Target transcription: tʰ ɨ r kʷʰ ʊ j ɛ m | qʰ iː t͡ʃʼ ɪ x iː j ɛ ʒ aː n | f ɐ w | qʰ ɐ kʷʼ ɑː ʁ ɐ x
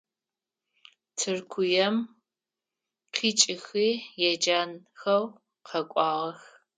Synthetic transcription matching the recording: tʰ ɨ r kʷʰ ʊ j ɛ m | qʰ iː t͡ʃʼ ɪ x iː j ɛ d͡ʒ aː n | x ɐ w | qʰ ɐ kʷʼ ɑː ʁ ɐ x